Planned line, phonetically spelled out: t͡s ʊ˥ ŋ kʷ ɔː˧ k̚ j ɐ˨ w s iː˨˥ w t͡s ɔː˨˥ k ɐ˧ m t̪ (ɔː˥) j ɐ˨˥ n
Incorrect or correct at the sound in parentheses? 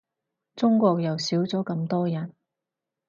correct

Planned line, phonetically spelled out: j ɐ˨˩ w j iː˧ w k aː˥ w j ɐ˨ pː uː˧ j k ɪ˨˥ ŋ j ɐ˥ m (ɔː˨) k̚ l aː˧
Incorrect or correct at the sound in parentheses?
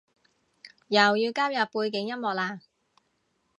correct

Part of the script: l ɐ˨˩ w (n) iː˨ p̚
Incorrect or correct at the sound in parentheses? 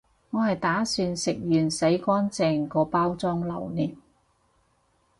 correct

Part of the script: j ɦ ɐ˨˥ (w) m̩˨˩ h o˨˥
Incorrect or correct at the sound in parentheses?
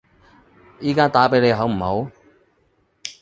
correct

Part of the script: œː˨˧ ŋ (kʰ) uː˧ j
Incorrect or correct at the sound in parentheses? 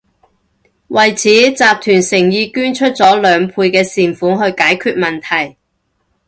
incorrect: pʰ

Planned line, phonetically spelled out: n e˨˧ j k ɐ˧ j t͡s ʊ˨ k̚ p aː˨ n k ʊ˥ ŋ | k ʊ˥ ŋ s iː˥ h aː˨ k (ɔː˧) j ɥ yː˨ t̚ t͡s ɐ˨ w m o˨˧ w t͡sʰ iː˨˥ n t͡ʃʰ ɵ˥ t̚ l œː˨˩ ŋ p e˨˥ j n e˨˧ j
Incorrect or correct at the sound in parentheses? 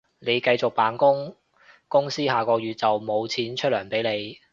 correct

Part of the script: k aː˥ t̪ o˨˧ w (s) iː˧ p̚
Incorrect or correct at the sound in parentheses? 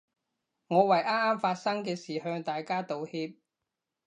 incorrect: h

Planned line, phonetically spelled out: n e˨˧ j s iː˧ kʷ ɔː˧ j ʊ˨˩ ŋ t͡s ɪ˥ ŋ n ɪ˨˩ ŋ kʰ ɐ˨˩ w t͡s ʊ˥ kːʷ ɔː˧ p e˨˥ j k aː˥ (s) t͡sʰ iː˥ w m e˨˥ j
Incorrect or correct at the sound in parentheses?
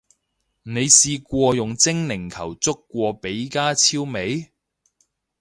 incorrect: none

